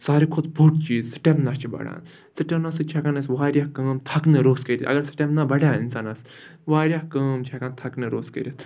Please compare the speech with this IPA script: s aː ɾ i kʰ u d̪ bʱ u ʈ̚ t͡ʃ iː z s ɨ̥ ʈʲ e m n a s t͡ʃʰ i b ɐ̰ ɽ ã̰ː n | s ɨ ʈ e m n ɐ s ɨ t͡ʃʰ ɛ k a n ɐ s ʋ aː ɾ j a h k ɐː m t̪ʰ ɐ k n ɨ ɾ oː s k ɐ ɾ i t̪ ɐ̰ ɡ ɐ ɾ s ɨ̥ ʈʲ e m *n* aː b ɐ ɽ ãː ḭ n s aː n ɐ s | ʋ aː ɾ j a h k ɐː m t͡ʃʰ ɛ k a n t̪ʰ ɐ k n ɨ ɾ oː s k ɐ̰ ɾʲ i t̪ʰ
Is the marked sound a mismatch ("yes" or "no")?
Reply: no